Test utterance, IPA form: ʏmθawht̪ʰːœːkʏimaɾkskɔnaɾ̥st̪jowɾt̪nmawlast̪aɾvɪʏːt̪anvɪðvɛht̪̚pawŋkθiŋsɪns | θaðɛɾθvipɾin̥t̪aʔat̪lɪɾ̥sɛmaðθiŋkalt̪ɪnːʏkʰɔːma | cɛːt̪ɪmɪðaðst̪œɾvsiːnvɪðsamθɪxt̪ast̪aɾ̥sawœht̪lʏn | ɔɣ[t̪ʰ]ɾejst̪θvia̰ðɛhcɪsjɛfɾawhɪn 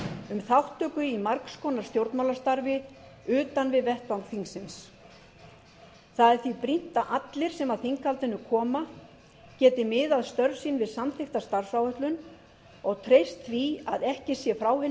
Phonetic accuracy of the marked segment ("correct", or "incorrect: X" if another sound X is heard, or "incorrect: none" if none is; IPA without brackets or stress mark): correct